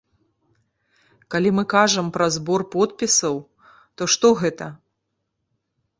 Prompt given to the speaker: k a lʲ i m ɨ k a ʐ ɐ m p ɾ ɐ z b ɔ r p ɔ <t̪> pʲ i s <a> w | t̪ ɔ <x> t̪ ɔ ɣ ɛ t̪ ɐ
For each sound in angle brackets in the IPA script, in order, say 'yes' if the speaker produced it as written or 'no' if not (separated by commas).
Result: yes, no, no